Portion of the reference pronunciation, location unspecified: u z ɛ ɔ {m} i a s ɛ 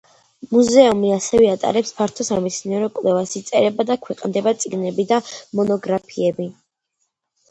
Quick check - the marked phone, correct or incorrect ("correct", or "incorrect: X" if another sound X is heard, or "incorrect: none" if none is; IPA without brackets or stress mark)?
correct